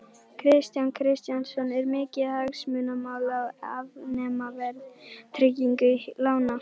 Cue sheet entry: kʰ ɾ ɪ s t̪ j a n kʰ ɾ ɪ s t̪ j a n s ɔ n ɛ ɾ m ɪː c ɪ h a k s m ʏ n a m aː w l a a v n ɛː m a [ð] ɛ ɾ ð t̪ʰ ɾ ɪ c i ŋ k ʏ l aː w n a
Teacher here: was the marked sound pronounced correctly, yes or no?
no